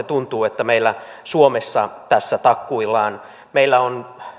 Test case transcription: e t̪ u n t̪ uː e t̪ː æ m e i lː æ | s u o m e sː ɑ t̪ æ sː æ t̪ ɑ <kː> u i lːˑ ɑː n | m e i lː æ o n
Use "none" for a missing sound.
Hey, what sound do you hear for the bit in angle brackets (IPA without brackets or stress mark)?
kː